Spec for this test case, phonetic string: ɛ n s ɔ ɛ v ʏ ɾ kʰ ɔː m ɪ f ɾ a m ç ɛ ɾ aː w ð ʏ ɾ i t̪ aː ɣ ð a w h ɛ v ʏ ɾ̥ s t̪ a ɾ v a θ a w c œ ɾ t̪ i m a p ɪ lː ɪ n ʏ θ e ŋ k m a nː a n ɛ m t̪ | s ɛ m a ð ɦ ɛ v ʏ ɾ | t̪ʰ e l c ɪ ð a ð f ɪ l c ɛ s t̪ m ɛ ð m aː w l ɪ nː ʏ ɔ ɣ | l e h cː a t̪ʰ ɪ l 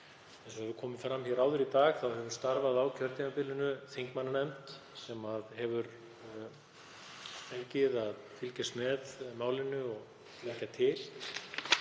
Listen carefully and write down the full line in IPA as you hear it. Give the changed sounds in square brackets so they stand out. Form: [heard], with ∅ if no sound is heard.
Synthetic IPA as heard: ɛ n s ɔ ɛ v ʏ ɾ kʰ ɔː m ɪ f ɾ a m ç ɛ ɾ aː w ð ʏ ɾ i t̪ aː ɣ [θ] a w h ɛ v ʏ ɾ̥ s t̪ a ɾ v a [ð] a w [cʰ] œ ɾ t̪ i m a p ɪ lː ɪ n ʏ θ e ŋ k m a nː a n ɛ m t̪ | s ɛ m a ð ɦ ɛ v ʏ ɾ | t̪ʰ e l c ɪ ð a ð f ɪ l c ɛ s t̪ m ɛ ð m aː w l ɪ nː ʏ ɔ ɣ | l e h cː a t̪ʰ ɪ l

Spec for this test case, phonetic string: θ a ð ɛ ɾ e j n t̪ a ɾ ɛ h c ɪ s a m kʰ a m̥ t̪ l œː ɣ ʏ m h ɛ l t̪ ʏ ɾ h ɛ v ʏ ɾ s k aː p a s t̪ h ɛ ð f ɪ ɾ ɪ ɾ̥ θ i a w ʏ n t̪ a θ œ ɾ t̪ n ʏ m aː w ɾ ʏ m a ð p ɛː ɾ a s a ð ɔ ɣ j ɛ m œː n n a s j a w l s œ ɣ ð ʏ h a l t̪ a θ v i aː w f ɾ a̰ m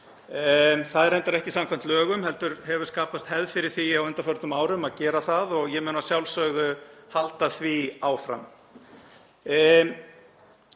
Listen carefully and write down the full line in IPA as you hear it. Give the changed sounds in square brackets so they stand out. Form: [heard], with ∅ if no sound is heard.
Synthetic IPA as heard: θ a ð ɛ ɾ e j n t̪ a ɾ ɛ h c ɪ s a m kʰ a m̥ t̪ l œː ɣ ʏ m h ɛ l t̪ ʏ ɾ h ɛ v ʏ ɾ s k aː p a s t̪ h ɛ ð f ɪ ɾ ɪ ɾ̥ θ i a w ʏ n t̪ a [f] œ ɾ t̪ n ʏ m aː w ɾ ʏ m a ð [c] ɛː ɾ a [θ] a ð ɔ ɣ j ɛ m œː n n a s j a w l s œ ɣ ð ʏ h a l t̪ a θ v i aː w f ɾ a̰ m

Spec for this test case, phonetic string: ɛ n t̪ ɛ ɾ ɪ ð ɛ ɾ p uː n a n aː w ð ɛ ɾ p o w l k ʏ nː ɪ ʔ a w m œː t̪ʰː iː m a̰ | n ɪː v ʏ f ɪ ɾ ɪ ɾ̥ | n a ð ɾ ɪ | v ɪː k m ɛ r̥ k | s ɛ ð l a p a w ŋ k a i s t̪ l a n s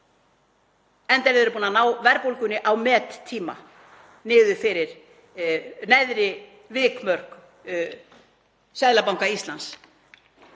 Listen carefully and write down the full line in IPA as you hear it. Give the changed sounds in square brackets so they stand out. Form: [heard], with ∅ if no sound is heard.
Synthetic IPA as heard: ɛ n t̪ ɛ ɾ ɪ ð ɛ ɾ p uː n a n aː w [v] ɛ ɾ p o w l k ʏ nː ɪ ʔ a w m [ɛː] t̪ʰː iː m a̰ | n ɪː [ð] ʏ f ɪ ɾ ɪ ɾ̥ | n [ɛ] ð ɾ ɪ | v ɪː k m [œ] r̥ k | s ɛ ð l a p a w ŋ k a i s t̪ l a n s

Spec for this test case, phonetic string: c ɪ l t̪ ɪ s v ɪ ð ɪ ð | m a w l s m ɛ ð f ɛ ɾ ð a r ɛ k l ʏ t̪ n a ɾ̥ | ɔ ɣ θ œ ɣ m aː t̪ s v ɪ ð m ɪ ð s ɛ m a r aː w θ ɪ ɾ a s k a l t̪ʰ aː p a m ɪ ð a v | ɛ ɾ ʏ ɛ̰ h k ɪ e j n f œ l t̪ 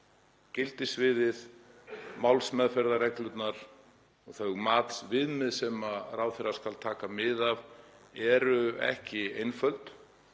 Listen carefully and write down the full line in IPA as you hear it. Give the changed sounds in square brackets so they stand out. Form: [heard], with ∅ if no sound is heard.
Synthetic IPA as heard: c ɪ l t̪ ɪ s v ɪ ð ɪ ð | m a w l s m ɛ ð f ɛ ɾ ð a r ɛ k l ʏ t̪ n a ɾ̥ | ɔ ɣ θ œ ɣ m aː t̪ s v ɪ ð m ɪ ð s ɛ m a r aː w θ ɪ ɾ a s k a l t̪ʰ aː [k] a m ɪ ð a v | ɛ ɾ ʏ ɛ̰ h [c] ɪ e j n f œ l t̪

